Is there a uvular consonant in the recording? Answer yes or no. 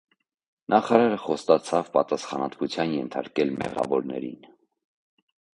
yes